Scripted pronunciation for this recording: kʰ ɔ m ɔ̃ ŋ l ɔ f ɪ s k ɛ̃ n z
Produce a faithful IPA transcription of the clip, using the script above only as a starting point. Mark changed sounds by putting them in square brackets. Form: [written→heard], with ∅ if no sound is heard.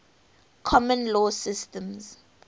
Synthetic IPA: kʰ ɔ m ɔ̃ [ŋ→n] l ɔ [f→s] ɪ s [k→t] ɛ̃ [n→m] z